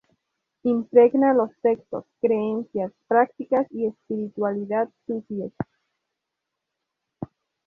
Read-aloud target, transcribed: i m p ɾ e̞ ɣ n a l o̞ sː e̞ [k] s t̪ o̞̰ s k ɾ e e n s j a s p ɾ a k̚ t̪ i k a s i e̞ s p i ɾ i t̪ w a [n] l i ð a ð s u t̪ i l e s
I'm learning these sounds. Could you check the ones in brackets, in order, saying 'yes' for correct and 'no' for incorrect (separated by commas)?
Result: yes, no